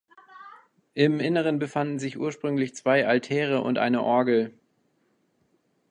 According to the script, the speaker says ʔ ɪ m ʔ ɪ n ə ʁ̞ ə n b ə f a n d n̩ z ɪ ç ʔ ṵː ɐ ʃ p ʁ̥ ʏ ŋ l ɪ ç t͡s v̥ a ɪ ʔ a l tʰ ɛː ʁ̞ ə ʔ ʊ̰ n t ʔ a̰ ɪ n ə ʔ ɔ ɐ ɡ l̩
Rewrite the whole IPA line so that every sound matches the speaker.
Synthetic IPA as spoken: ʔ ɪ m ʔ ɪ n ə ʁ̞ ə n b ə f a n d n̩ z ɪ ç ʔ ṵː ɐ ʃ p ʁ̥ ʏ ŋ l ɪ ç t͡s v̥ a ɪ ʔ a l tʰ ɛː ʁ̞ ə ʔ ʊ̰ n t ʔ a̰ ɪ n ə ʔ ɔ ɐ ɡ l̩